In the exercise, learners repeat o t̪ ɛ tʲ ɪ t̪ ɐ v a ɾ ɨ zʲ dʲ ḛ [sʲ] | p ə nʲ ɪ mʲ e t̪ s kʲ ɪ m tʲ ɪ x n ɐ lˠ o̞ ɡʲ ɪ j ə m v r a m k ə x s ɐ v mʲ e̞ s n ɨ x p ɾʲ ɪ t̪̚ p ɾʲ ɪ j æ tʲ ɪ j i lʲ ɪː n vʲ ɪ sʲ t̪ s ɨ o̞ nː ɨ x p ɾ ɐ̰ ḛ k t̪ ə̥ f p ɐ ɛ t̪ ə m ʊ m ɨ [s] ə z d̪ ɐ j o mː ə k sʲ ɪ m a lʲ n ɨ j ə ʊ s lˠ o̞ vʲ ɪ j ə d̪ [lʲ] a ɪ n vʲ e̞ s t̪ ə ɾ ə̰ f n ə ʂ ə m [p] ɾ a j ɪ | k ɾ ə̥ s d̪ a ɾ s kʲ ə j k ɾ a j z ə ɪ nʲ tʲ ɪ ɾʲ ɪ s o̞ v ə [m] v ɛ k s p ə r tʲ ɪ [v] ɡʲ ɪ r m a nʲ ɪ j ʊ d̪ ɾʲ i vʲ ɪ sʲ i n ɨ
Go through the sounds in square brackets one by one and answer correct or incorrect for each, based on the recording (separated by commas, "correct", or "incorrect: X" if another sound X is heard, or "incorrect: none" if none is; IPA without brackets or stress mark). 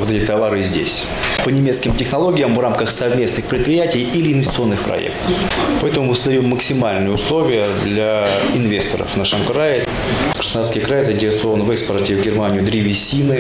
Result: correct, correct, correct, incorrect: k, incorrect: n, correct